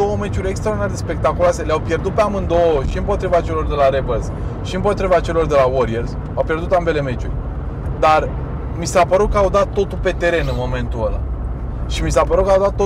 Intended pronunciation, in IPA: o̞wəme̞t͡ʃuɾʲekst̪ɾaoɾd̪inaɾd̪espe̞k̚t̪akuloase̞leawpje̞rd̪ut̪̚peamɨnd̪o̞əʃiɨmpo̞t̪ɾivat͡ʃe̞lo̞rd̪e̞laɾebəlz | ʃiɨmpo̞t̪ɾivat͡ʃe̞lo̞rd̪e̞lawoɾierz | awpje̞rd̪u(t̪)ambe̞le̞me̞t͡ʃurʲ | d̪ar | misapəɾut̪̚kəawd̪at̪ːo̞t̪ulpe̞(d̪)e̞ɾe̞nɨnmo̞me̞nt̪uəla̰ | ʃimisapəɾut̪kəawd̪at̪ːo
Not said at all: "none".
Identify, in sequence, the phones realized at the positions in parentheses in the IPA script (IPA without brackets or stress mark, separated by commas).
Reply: t̪, t̪